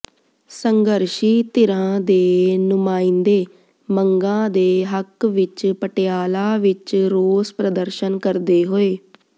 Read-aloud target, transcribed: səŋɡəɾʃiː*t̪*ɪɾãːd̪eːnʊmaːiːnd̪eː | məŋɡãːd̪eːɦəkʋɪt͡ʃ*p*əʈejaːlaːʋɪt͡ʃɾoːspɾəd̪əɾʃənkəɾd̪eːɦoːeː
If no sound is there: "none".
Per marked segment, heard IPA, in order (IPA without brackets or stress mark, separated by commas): t̪, p